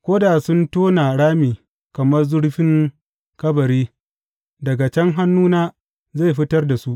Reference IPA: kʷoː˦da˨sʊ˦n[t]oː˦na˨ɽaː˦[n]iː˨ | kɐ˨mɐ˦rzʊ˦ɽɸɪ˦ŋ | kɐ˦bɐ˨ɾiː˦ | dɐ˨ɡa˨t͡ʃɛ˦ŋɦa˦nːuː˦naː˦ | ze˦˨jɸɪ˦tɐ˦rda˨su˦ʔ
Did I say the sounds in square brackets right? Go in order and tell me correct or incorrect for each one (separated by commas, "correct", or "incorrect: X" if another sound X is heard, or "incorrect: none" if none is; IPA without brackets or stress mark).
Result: correct, incorrect: m